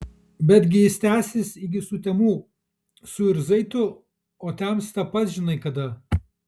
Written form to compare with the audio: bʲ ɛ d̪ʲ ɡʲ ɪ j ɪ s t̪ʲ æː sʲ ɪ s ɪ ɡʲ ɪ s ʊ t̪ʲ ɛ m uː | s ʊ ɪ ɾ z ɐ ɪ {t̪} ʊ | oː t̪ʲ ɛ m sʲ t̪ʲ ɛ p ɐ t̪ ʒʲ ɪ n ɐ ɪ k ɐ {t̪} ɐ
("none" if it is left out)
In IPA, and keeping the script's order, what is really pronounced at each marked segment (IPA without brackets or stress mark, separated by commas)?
t̪, d̪